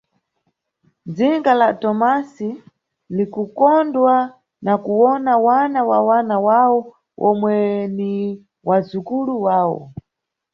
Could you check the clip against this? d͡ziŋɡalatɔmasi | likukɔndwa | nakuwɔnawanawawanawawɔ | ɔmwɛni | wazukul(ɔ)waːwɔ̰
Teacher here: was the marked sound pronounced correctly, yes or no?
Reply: no